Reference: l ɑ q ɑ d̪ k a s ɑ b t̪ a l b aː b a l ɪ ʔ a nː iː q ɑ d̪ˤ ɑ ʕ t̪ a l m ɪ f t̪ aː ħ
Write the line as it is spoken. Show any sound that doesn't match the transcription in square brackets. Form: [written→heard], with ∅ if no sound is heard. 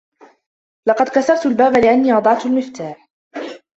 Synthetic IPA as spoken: l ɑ q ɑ d̪ k a s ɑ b t̪ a l b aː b a l ɪ ʔ a nː iː [q→ʔ] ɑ d̪ˤ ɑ ʕ t̪ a l m ɪ f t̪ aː ħ